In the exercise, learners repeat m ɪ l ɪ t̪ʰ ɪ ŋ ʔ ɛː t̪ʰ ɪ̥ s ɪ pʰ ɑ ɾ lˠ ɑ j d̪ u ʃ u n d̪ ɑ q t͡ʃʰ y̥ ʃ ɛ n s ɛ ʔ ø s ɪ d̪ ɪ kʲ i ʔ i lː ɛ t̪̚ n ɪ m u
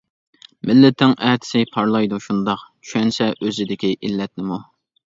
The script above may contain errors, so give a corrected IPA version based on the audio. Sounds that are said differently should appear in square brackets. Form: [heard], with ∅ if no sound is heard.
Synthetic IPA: m ɪ [lː] ɪ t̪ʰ ɪ ŋ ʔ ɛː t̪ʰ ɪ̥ s ɪ pʰ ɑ ɾ lˠ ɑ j d̪ u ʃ u n d̪ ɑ q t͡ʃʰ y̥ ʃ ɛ n s ɛ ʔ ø [z] ɪ d̪ ɪ kʲ i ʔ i lː ɛ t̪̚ n ɪ m u